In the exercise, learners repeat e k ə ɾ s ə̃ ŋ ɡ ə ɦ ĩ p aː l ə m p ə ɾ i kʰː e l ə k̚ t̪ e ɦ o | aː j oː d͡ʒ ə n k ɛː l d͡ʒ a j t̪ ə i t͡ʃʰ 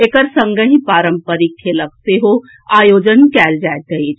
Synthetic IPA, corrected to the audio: e k ə ɾ s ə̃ ŋ ɡ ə ɦ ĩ p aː ɾ ə m p ə ɾ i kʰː e l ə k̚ t̪ e ɦ o | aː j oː d͡ʒ ə n k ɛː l d͡ʒ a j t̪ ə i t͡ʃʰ